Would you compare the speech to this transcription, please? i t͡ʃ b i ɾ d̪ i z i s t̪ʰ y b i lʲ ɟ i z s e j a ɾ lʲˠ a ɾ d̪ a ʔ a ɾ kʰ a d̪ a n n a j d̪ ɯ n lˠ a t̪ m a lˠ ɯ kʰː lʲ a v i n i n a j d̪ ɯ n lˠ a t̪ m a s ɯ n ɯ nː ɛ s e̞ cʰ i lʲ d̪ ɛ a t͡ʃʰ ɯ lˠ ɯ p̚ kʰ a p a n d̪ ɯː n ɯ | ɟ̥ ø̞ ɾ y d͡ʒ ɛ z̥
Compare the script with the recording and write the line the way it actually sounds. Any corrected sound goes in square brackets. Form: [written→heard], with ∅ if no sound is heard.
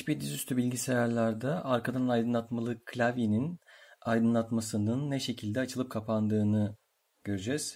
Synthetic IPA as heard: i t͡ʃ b i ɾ d̪ i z [i→y] s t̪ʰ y b i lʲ ɟ i [z→∅] s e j a ɾ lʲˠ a ɾ d̪ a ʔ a ɾ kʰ a d̪ a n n a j d̪ ɯ n lˠ a t̪ m a lˠ ɯ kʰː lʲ a v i n i n a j d̪ ɯ n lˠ a t̪ m a s ɯ n ɯ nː ɛ [s→ʃ] e̞ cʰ i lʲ d̪ ɛ a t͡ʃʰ ɯ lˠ ɯ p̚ kʰ a p a n d̪ ɯː n ɯ | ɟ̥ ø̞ ɾ y d͡ʒ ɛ z̥